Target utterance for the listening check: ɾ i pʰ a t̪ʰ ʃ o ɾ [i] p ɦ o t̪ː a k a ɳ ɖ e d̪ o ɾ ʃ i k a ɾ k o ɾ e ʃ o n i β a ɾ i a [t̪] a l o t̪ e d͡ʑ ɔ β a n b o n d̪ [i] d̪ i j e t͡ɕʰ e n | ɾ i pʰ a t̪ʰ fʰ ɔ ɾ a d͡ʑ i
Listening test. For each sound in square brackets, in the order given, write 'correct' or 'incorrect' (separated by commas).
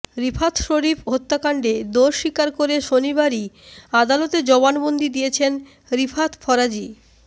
correct, incorrect, correct